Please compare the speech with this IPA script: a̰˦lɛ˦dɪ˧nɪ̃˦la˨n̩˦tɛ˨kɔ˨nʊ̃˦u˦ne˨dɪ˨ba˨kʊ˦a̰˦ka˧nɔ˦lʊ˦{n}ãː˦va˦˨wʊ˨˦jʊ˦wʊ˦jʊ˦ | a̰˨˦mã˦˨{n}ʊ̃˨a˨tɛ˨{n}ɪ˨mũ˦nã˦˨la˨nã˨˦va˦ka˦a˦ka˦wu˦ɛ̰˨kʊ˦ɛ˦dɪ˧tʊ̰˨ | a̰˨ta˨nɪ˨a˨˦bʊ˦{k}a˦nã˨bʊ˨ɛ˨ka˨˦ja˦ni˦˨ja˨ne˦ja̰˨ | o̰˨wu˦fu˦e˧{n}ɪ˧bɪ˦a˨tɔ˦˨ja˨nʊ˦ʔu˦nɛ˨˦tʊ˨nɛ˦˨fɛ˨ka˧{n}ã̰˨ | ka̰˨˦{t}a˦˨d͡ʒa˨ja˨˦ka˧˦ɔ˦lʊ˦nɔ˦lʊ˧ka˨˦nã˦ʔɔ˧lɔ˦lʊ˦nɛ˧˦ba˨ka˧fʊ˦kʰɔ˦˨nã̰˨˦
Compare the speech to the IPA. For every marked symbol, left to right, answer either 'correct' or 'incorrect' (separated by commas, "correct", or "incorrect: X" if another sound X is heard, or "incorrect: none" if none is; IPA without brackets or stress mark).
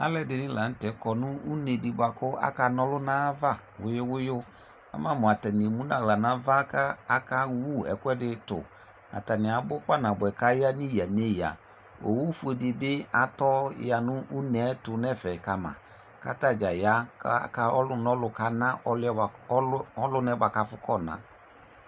correct, incorrect: m, correct, incorrect: k͡p, incorrect: d, incorrect: m, correct